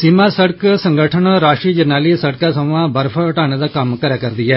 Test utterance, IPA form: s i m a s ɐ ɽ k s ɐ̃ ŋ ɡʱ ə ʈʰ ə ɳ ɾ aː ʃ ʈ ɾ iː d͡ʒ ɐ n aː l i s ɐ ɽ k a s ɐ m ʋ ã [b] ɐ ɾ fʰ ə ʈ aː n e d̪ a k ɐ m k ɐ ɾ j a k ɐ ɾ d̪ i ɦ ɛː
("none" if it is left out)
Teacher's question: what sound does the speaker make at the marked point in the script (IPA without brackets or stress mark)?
b